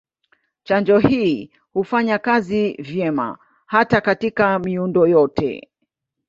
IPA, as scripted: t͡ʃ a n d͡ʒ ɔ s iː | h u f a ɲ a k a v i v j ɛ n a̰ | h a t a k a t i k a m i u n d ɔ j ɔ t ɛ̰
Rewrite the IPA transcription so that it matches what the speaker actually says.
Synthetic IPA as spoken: t͡ʃ a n d͡ʒ ɔ h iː | h u f a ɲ a k a z i v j ɛ m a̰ | h a t a k a t i k a m i u n d ɔ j ɔ t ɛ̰